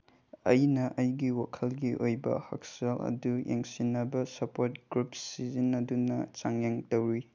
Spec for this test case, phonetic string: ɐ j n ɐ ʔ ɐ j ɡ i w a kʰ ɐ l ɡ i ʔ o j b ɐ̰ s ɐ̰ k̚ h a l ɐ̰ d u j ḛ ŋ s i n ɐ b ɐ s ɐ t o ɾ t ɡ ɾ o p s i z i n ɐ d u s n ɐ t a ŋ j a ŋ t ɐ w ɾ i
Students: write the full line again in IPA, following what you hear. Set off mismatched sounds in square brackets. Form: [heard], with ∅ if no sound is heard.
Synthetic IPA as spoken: ɐ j n ɐ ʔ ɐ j ɡ i w a kʰ ɐ l ɡ i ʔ o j b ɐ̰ [h] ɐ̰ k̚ [s] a l ɐ̰ d u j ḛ ŋ s i n ɐ b ɐ s ɐ [p] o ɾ t ɡ ɾ [u] p s i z i n ɐ d u [∅] n ɐ [t͡ʃ] a ŋ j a ŋ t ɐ w ɾ i

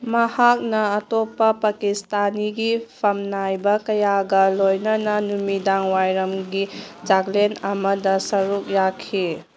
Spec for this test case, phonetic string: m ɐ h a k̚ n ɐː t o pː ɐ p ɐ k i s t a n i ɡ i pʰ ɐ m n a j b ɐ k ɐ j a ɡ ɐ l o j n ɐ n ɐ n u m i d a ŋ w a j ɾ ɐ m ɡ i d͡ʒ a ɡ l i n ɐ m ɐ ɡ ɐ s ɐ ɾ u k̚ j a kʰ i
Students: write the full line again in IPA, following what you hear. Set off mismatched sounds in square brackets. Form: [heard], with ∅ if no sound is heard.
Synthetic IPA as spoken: m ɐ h a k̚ n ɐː t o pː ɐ p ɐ k i s t a n i ɡ i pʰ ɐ m n a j b ɐ k ɐ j a ɡ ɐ l o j n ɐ n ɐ n u m i d a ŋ w a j ɾ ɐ m ɡ i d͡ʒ a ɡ l [e] n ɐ m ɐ [d] ɐ s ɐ ɾ u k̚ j a kʰ i

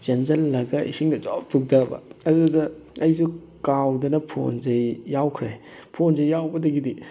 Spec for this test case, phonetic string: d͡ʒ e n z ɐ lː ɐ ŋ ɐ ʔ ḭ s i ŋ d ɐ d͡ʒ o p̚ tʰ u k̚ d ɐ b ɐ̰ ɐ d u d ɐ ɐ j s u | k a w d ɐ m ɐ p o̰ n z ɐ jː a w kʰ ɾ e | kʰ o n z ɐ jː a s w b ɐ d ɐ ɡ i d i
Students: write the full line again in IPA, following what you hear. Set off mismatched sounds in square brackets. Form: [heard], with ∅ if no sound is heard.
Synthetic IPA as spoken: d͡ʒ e n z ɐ lː ɐ [ɡ] ɐ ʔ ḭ s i ŋ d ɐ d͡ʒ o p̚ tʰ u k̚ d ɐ b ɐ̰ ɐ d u d ɐ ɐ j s u | k a w d ɐ [n] ɐ [pʰ] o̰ n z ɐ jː a w kʰ ɾ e | [pʰ] o n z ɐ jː a [∅] w b ɐ d ɐ ɡ i d i

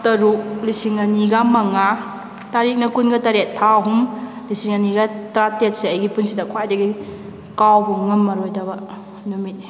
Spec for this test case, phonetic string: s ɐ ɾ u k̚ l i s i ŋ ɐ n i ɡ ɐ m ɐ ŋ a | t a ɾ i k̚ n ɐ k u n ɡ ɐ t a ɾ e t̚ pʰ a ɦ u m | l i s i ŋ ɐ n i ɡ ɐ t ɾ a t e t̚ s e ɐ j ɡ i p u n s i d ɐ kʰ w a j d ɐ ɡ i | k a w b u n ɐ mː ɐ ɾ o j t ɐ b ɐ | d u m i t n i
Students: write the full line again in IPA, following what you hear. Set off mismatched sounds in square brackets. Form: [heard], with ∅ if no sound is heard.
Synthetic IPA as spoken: [t] ɐ ɾ u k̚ l i s i ŋ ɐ n i ɡ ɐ m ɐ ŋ a | t a ɾ i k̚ n ɐ k u n ɡ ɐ t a ɾ e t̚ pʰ a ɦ u m | l i s i ŋ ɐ n i ɡ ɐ t ɾ a t e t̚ s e ɐ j ɡ i p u n s i d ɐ kʰ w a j d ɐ ɡ i | k a w b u [ŋ] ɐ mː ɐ ɾ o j [d] ɐ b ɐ | [n] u m i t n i

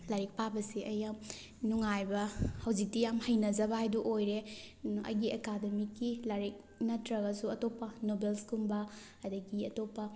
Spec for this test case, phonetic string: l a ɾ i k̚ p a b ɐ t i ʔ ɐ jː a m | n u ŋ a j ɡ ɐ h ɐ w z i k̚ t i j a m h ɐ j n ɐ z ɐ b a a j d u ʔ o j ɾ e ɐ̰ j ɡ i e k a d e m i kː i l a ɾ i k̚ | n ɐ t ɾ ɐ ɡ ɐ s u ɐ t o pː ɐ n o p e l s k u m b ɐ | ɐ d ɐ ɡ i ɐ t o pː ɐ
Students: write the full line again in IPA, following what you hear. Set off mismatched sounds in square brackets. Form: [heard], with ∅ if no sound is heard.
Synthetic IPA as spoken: l a ɾ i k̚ p a b ɐ [s] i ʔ ɐ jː a m | n u ŋ a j [b] ɐ h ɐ w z i k̚ t i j a m h ɐ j n ɐ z ɐ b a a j d u ʔ o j ɾ e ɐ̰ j ɡ i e k a d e m i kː i l a ɾ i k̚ | n ɐ t ɾ ɐ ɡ ɐ s u ɐ t o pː ɐ n o [b] e l s k u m b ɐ | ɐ d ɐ ɡ i ɐ t o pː ɐ

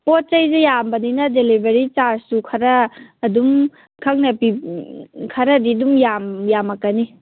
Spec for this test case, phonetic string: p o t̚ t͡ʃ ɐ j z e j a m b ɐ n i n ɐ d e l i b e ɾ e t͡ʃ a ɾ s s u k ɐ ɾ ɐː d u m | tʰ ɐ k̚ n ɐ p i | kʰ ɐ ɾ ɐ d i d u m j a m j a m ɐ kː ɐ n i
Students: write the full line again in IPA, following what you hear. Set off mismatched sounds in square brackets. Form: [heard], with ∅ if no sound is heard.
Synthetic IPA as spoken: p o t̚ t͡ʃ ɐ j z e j a m b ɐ n i n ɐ d e l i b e ɾ [i] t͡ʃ a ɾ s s u [kʰ] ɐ ɾ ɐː d u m | [kʰ] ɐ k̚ n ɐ p i | kʰ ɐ ɾ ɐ d i d u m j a m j a m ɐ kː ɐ n i

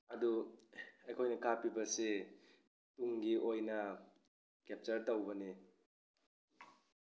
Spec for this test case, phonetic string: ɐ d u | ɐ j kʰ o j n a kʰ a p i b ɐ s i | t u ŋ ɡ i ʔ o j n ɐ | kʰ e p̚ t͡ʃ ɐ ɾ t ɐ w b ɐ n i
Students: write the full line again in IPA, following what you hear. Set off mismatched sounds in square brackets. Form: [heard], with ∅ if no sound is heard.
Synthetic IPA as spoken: ɐ d u | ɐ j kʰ o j n [ɐ] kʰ a p i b ɐ s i | t u ŋ ɡ i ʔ o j n ɐ | [k] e p̚ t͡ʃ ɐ ɾ t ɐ w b ɐ n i

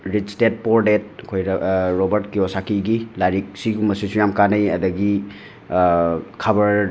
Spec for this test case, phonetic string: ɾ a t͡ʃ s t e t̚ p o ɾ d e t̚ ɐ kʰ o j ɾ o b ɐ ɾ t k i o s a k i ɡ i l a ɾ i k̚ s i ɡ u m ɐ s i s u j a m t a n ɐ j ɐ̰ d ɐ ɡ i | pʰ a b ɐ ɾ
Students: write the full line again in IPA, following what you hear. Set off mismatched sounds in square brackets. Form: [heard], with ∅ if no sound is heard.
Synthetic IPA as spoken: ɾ [i] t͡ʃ s t e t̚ p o ɾ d e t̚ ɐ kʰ o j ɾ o b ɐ ɾ t k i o s a k i ɡ i l a ɾ i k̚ s i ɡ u m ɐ s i s u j a m [k] a n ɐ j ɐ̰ d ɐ ɡ i | [kʰ] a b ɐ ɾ

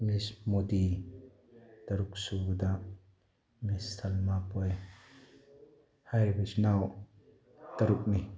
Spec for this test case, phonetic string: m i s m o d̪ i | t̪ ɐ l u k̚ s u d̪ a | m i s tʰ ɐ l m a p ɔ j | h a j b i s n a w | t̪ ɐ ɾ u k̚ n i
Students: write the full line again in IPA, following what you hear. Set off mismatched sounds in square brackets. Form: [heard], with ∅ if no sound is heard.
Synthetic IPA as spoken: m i s m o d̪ i | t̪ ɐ [ɾ] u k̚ s u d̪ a | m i s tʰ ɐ l m a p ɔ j | h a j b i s n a w | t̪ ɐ ɾ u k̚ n i

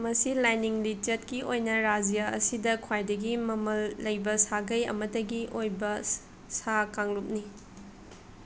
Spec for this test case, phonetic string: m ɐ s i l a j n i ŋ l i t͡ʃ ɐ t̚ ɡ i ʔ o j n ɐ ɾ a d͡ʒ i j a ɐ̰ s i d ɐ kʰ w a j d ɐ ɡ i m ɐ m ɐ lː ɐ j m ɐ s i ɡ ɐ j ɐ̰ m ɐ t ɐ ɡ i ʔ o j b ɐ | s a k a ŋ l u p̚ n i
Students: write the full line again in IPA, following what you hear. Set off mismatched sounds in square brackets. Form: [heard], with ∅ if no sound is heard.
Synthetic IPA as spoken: m ɐ s i l a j n i ŋ l i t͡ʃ ɐ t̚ [k] i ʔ o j n ɐ ɾ a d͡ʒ i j a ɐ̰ s i d ɐ kʰ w a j d ɐ ɡ i m ɐ m ɐ lː ɐ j [b] ɐ s [a] ɡ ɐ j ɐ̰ m ɐ t ɐ ɡ i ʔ o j b ɐ | s a k a ŋ l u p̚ n i

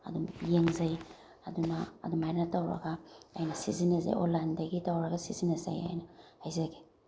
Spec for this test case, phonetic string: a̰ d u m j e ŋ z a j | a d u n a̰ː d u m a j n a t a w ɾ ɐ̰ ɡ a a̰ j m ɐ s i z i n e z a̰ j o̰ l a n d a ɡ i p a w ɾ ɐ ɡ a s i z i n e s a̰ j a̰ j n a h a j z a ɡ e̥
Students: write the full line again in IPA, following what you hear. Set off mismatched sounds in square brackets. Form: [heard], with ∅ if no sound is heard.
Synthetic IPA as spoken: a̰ d u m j e ŋ z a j | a d u n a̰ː d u m a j n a t a w ɾ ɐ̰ ɡ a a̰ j [n] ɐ s i z i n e z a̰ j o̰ l a n d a ɡ i [t] a w ɾ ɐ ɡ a s i z i n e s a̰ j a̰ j n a h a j z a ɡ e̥

